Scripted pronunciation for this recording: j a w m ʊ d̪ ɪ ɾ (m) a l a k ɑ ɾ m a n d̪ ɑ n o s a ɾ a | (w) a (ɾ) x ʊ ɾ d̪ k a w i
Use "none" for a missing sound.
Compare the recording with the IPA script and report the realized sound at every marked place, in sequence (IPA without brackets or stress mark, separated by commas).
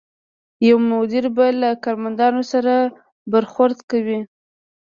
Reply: b, b, ɾ